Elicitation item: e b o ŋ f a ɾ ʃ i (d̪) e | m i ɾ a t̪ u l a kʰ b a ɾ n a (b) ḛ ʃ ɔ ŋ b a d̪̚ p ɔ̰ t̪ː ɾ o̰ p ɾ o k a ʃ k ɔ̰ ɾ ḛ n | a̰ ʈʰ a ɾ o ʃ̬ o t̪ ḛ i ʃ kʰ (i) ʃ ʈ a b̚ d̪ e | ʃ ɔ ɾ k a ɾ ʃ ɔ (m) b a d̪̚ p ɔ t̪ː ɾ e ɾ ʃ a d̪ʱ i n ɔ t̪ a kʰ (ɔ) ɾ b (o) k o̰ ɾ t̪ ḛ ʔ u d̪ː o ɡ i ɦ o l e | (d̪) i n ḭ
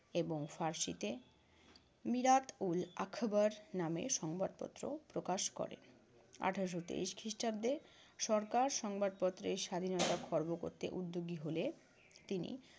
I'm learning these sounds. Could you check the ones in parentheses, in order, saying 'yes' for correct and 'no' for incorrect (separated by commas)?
no, no, yes, no, yes, yes, no